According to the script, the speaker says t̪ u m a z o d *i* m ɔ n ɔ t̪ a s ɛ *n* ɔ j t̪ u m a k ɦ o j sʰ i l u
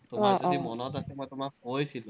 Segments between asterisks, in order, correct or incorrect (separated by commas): correct, incorrect